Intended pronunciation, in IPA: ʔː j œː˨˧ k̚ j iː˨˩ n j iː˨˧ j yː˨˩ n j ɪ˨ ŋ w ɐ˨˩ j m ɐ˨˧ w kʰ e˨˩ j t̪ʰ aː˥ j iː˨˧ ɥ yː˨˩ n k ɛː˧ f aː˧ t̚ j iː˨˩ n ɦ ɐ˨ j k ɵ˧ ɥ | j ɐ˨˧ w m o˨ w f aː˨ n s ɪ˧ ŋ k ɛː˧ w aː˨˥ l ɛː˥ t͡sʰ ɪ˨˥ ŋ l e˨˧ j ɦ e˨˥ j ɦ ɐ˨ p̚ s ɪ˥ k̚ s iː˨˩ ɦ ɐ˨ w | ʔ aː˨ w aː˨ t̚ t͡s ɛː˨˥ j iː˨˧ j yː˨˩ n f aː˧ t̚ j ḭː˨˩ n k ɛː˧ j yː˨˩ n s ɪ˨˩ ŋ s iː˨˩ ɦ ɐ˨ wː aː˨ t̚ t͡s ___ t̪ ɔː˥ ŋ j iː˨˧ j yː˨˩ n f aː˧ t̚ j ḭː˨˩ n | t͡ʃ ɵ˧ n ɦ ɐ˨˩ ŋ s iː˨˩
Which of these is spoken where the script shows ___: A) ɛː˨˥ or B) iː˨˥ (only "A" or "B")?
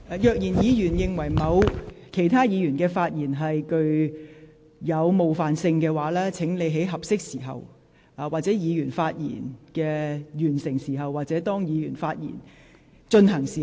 A